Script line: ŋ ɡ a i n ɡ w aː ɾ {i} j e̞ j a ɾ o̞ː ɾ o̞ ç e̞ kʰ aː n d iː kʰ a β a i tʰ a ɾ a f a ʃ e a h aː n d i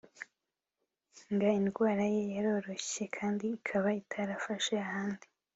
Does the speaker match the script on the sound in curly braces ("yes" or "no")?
no